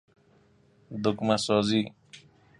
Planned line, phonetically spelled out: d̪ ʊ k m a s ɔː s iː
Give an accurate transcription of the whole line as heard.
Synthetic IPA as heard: d̪ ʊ k m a s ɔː z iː